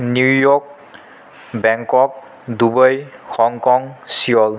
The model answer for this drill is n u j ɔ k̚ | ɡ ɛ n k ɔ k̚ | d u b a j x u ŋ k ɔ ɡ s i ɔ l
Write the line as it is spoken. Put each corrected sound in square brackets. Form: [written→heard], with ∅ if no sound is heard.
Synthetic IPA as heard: n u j ɔ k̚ | [ɡ→b] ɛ [n→ŋ] k ɔ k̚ | d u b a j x [u→ɔ] ŋ k ɔ [ɡ→ŋ] s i ɔ l